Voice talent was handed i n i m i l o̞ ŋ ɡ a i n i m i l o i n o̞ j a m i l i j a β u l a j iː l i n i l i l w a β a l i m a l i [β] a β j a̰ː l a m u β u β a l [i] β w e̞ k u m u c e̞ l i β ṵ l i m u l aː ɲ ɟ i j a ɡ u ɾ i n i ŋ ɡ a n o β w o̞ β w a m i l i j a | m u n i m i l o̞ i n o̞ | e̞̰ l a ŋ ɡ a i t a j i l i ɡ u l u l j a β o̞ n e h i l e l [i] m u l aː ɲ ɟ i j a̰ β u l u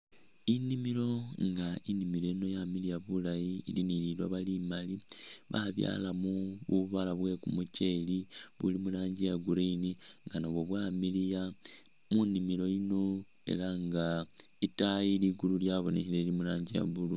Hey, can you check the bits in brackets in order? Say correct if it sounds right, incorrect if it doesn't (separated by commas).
correct, incorrect, correct